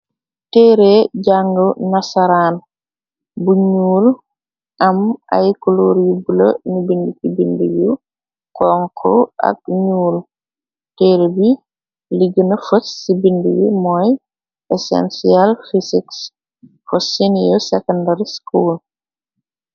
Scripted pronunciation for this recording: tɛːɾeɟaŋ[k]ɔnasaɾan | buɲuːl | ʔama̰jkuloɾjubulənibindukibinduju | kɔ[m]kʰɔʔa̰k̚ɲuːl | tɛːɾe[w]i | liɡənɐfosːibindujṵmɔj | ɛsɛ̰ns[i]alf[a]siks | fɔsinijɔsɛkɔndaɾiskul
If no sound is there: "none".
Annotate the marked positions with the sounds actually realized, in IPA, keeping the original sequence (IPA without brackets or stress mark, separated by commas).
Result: ɡ, ŋ, b, i, i